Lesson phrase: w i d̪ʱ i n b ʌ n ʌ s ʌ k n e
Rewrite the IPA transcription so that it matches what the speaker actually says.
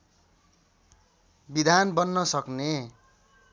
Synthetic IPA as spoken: b i d̪ʱ a n b ʌ nː ʌ s ʌ k n e